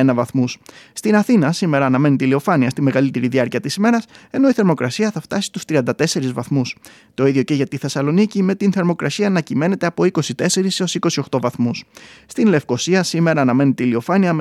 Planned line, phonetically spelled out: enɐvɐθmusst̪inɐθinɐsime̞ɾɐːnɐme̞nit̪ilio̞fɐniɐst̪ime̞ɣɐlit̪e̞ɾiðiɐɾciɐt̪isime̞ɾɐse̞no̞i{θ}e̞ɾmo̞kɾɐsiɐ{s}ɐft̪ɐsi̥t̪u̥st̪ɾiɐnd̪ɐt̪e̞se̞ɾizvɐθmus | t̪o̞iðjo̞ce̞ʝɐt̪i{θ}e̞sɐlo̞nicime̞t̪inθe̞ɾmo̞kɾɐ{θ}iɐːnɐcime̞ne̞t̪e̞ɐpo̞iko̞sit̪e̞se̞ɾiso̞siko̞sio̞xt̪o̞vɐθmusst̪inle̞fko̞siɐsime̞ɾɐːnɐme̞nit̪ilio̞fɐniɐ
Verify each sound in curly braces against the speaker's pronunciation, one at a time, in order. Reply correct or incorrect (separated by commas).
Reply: correct, incorrect, correct, incorrect